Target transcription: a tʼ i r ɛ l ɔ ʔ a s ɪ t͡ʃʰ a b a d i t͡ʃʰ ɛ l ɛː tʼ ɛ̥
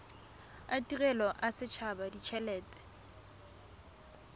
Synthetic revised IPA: a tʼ i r ɛ l ɔ ʔ a s ɪ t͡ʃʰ a b a d i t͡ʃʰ ɛ l ɛː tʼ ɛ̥